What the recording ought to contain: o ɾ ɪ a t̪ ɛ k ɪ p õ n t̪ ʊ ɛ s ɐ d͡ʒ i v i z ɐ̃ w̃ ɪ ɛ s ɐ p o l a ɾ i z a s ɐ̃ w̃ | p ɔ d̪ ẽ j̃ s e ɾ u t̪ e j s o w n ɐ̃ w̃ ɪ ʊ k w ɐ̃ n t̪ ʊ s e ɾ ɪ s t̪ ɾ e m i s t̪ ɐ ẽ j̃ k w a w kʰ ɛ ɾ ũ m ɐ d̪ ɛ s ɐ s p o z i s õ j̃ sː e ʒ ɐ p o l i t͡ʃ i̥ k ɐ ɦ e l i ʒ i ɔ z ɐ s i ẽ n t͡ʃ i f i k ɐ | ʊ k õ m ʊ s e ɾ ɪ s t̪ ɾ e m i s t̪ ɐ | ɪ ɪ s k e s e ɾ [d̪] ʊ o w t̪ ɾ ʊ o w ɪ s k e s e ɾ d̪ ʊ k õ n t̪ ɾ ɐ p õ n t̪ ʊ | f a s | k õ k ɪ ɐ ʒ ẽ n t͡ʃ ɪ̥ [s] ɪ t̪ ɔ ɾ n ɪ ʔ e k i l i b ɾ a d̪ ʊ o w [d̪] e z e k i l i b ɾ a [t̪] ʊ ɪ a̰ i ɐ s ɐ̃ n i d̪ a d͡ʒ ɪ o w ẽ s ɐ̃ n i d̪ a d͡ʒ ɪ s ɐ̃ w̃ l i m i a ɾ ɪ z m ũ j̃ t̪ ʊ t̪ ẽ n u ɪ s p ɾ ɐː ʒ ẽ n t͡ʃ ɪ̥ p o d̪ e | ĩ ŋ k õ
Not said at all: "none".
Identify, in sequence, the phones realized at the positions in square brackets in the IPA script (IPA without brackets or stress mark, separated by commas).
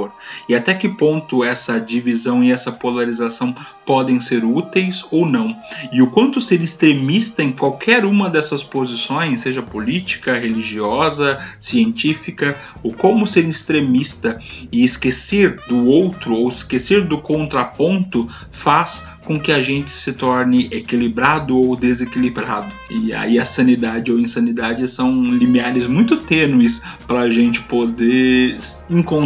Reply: d̪, s, d̪, d̪